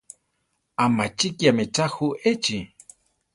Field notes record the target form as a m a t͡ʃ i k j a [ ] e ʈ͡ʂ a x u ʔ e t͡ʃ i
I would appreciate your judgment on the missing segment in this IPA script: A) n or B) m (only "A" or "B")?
B